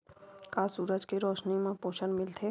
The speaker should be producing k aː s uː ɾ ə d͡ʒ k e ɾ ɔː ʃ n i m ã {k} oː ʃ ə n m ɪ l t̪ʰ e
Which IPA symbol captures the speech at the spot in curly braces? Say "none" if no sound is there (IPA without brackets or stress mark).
p